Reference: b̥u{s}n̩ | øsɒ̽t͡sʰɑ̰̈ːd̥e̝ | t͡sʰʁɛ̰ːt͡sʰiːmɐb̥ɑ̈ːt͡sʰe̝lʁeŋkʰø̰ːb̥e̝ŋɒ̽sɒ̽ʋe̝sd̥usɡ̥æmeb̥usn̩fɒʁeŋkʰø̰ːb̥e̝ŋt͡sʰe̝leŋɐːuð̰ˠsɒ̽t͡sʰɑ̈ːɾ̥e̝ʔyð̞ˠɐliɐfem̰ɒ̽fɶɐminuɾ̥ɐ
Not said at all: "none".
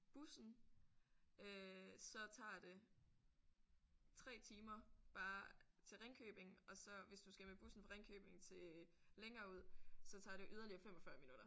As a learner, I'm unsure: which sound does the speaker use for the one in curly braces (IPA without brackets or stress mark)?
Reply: s